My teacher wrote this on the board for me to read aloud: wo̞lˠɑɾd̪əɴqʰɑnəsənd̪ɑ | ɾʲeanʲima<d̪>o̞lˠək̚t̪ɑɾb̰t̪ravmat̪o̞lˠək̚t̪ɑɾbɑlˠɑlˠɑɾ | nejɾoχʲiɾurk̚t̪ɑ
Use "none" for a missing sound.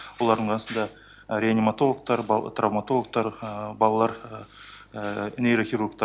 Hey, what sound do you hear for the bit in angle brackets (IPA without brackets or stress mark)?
t̪